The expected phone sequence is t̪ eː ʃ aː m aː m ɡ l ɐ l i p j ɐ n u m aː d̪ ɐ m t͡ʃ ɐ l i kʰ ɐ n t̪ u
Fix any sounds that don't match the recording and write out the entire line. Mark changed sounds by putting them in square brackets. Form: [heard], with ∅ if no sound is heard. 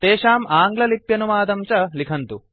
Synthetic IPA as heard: t̪ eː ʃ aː m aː [ŋ] ɡ l ɐ l i p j ɐ n u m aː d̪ ɐ m t͡ʃ ɐ l i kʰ ɐ n t̪ u